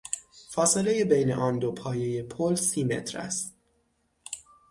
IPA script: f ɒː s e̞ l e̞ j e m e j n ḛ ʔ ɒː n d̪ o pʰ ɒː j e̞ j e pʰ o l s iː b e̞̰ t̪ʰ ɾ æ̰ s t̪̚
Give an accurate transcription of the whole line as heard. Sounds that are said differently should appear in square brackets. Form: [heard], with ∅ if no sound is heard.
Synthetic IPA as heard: f ɒː s e̞ l e̞ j e [b] e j n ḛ ʔ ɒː n d̪ o pʰ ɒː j e̞ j e pʰ o l s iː [m] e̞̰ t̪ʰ ɾ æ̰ s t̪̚